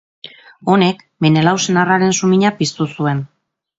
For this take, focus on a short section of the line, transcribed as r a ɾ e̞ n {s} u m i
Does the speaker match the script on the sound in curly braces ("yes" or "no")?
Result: yes